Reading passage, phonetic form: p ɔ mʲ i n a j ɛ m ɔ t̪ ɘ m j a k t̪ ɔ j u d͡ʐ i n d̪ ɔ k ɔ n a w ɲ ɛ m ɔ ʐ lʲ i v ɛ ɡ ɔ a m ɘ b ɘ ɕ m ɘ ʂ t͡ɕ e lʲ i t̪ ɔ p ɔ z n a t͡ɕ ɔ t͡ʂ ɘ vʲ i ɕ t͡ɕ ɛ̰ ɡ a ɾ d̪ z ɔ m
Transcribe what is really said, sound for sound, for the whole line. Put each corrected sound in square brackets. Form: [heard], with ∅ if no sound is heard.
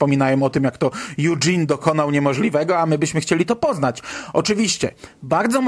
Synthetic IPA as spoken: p ɔ mʲ i n a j ɛ m ɔ t̪ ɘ m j a k t̪ ɔ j u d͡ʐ i n d̪ ɔ k ɔ n a w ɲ ɛ m ɔ ʐ lʲ i v ɛ ɡ ɔ a m ɘ b ɘ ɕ m ɘ [x] t͡ɕ e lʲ i t̪ ɔ p ɔ z n a t͡ɕ ɔ t͡ʂ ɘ vʲ i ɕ t͡ɕ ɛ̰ [b] a ɾ d̪ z ɔ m